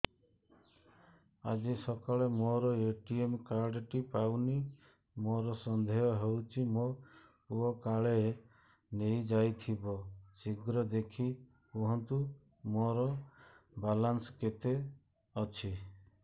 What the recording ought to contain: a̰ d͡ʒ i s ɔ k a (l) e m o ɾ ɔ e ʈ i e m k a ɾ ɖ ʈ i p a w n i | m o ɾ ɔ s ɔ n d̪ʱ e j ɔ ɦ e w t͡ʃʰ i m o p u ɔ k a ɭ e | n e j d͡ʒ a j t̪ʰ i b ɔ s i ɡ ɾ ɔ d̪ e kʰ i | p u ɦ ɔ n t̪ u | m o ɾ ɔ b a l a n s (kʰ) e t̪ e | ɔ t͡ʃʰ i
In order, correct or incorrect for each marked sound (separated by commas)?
incorrect, incorrect